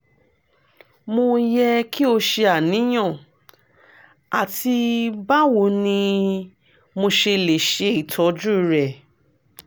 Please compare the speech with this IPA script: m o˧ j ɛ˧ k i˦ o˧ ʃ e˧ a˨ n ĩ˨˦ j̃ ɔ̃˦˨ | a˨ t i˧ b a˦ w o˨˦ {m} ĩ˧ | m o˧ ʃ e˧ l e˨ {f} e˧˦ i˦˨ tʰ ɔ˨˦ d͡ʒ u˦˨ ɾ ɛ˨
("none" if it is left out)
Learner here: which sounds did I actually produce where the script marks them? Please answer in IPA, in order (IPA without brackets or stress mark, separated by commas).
n, ʃ